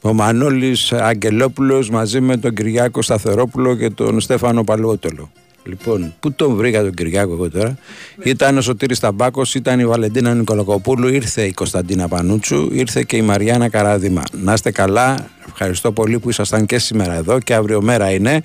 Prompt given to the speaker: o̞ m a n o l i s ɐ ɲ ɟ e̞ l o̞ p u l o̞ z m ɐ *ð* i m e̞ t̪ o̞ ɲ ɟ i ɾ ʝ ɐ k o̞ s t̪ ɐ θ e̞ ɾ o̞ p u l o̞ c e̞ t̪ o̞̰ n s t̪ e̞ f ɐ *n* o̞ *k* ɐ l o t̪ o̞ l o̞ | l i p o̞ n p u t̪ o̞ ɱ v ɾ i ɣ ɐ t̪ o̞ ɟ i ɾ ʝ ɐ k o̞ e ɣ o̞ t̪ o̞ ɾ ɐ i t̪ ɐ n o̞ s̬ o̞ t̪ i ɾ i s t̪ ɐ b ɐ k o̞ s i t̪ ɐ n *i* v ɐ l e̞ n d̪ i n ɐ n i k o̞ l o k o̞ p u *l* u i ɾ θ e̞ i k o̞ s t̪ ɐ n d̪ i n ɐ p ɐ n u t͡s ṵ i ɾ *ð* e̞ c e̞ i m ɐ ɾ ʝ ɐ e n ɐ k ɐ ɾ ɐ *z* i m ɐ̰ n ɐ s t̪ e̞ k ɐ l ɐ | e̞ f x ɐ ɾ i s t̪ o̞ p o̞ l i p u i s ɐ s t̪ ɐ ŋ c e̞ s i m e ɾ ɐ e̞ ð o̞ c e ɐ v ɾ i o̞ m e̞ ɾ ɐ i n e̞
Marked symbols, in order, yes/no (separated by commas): no, yes, no, yes, yes, no, no